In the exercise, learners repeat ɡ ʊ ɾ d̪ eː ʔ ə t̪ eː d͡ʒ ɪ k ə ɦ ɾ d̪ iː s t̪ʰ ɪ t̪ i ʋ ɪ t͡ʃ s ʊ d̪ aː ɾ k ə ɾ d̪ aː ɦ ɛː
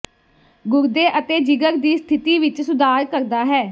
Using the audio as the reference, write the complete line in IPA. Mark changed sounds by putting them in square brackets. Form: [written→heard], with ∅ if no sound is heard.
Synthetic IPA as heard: ɡ ʊ ɾ d̪ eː ʔ ə t̪ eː d͡ʒ ɪ [k→ɡ] ə [ɦ→∅] ɾ d̪ iː s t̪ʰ ɪ t̪ [i→iː] ʋ ɪ t͡ʃ s ʊ d̪ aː ɾ k ə ɾ d̪ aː ɦ ɛː